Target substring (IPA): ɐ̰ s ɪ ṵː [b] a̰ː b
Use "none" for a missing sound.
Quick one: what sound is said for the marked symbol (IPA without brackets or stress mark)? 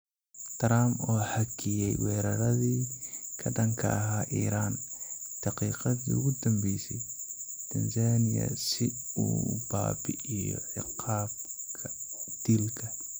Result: b